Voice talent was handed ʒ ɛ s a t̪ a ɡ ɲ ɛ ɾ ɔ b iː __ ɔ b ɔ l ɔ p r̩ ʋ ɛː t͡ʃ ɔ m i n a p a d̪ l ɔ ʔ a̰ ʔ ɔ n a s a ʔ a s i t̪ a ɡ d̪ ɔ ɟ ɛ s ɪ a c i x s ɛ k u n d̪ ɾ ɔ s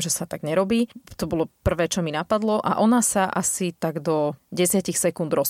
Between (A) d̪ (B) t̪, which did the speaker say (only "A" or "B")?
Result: B